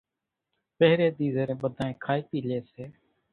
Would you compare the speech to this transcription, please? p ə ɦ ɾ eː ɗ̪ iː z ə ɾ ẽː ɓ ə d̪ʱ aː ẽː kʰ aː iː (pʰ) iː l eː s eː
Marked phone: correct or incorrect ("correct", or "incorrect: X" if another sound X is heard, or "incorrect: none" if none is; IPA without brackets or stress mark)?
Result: incorrect: p